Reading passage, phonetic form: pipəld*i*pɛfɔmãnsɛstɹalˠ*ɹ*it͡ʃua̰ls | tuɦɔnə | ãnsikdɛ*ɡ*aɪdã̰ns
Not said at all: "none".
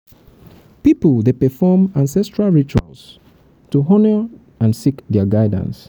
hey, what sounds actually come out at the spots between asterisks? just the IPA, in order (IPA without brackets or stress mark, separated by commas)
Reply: e, ɹ, ɡ